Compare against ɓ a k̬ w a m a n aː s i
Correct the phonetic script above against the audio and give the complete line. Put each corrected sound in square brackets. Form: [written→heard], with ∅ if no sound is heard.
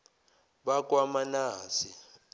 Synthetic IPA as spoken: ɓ a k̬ w a m a n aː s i